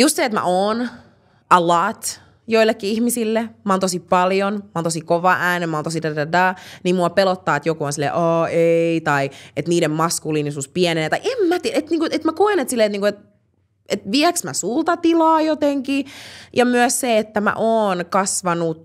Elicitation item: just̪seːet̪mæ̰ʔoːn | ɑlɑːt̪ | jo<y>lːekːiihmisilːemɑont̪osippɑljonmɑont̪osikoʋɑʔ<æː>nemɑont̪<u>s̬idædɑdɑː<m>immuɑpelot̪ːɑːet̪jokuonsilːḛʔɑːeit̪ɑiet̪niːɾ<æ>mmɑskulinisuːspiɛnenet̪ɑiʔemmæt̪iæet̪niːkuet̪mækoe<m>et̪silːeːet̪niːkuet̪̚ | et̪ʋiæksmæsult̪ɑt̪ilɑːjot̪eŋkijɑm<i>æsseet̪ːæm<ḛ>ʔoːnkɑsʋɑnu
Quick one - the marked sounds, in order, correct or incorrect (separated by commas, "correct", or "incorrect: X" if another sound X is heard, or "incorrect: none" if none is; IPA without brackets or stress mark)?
incorrect: i, correct, incorrect: o, incorrect: n, incorrect: e, incorrect: n, incorrect: y, incorrect: æ̰